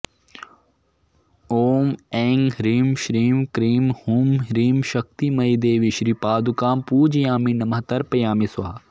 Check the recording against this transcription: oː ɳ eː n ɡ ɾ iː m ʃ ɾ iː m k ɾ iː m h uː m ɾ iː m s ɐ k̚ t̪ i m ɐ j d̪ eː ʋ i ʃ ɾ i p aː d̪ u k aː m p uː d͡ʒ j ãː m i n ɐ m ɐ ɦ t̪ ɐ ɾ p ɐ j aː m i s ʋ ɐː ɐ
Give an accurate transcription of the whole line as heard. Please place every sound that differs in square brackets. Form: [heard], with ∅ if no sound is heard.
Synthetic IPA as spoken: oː [m] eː [ŋ] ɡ ɾ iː m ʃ ɾ iː m k ɾ iː m h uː m ɾ iː m [ʃ] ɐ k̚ t̪ i m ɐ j d̪ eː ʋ i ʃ ɾ i p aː d̪ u k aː m p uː d͡ʒ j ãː m i n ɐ m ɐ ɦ t̪ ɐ ɾ p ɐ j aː m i s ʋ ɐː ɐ